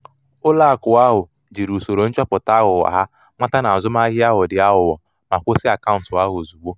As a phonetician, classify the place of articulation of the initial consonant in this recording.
alveolar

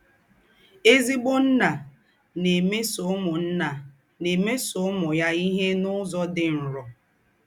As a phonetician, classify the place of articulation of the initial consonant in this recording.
alveolar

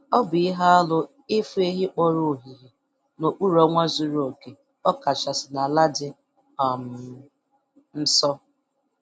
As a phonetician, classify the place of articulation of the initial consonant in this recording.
labial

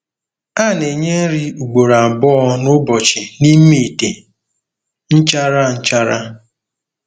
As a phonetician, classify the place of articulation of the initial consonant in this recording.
alveolar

